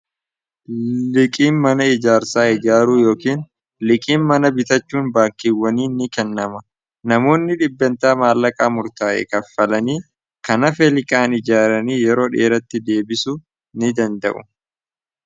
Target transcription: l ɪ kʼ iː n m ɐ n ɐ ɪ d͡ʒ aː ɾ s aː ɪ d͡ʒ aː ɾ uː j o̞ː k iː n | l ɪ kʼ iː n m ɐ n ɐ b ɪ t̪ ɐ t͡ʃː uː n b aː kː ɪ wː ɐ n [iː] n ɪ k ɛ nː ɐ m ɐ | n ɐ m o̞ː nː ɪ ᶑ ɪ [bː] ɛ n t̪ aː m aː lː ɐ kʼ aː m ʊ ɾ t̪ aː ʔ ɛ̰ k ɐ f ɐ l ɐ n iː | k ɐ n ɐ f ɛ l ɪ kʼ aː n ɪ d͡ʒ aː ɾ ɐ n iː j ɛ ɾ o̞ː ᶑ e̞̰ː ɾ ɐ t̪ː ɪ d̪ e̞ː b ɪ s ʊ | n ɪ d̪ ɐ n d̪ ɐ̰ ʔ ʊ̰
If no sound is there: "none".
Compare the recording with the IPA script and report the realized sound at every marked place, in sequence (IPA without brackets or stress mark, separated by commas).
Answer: iː, bː